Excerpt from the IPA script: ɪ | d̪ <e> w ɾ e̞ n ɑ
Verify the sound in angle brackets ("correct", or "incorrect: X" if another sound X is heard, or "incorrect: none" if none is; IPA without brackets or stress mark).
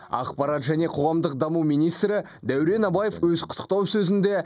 incorrect: æ